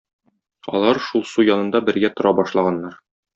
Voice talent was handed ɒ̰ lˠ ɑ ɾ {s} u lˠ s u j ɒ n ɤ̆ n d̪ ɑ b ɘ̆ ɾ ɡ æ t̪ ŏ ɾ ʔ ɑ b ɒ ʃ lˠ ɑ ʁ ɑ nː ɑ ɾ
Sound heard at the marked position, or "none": ʃ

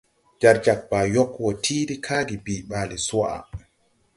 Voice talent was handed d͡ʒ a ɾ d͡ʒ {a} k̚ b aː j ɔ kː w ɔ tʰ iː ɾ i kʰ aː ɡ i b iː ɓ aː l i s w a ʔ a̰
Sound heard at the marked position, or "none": a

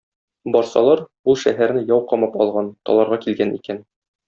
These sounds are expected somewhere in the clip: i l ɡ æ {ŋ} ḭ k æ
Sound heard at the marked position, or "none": n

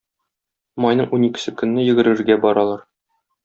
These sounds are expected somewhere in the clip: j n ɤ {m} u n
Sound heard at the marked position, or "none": ɴ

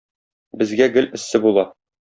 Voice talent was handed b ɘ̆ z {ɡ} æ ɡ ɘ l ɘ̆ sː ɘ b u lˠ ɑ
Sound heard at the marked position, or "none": ɡ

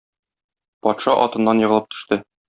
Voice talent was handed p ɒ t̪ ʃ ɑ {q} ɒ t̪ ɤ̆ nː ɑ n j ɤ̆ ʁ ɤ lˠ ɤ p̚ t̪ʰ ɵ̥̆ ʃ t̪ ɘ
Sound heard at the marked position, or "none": ʔ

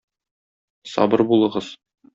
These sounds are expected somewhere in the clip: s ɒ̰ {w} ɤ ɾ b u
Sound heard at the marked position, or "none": b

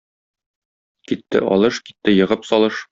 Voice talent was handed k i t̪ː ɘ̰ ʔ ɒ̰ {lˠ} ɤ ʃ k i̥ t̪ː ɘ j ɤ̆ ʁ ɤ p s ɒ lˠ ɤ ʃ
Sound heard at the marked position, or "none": lˠ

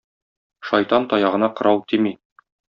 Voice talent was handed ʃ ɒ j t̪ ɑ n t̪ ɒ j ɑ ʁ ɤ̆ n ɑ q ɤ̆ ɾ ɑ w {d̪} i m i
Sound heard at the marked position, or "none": t̪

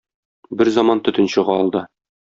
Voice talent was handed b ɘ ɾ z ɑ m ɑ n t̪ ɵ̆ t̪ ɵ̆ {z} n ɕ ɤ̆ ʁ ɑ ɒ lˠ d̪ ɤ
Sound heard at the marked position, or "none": none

